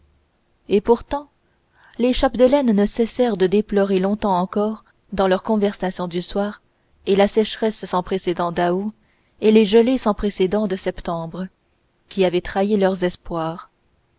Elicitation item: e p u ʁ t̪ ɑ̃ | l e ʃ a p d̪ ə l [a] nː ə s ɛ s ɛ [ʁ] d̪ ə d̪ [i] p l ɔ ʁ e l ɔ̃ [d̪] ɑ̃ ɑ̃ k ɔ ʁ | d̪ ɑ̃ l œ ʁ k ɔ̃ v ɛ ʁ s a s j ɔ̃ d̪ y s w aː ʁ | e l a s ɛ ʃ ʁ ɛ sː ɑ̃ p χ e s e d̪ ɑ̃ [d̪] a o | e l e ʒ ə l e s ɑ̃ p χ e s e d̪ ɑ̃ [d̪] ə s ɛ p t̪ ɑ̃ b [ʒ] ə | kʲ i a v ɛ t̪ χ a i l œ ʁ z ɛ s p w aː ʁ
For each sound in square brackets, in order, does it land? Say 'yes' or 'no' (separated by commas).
no, yes, no, no, yes, yes, no